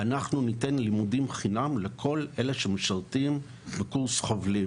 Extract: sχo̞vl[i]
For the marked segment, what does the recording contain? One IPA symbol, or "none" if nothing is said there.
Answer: i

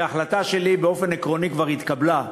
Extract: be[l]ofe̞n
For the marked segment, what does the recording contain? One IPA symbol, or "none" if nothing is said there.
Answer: none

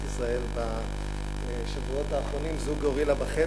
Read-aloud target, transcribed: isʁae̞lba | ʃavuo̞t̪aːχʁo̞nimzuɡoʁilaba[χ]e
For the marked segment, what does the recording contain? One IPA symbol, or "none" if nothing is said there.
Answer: χ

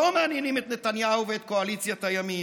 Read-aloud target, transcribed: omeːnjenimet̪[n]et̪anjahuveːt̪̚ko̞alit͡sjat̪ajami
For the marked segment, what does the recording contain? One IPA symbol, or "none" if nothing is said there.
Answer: n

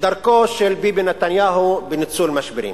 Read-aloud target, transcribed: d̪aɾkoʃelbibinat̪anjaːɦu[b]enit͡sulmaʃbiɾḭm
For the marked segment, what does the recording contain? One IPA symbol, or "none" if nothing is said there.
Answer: b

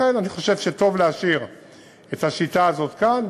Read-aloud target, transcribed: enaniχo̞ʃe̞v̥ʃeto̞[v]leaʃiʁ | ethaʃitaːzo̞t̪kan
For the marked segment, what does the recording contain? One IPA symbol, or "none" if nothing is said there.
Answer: v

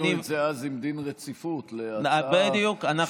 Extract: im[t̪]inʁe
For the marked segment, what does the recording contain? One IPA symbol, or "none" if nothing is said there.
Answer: d̪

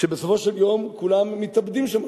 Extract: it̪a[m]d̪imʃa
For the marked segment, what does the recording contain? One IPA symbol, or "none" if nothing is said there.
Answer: b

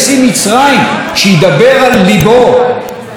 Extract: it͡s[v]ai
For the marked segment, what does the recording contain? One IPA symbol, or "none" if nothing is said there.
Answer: ʁ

